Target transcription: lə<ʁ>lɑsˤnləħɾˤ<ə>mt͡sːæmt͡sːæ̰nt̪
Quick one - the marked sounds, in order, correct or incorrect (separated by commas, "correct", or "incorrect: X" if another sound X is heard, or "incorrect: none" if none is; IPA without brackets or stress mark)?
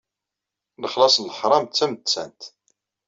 incorrect: χ, incorrect: ɑ